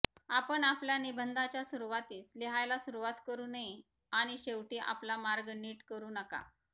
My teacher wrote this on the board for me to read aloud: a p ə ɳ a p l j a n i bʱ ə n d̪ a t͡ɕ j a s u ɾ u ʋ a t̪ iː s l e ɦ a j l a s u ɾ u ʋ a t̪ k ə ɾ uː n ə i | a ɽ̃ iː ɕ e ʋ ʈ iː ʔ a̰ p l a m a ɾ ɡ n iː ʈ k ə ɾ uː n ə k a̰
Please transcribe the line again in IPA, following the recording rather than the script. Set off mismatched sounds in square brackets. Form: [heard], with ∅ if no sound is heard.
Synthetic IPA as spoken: a p ə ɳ a p l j a n i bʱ ə n d̪ a t͡ɕ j a s u ɾ u ʋ a t̪ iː s l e ɦ a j l a s u ɾ u ʋ a t̪ k ə ɾ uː n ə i | a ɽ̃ [i] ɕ e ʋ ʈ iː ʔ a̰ p l a m a ɾ ɡ n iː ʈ k ə ɾ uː n ə k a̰